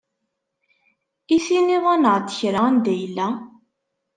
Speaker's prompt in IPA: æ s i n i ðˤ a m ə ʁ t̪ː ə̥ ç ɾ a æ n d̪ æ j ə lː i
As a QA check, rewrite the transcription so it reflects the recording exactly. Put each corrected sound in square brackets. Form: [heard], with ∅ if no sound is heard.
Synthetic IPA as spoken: [i] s i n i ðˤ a [n] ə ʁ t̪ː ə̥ ç ɾ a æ n d̪ æ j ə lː [æ]